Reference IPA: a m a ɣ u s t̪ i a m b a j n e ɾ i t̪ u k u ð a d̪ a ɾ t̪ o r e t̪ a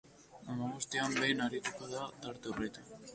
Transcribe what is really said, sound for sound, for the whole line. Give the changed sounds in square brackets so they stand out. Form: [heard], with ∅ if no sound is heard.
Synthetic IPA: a m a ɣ u s t̪ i a m b [e] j n [a] ɾ i t̪ u k [o] ð a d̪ a ɾ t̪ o r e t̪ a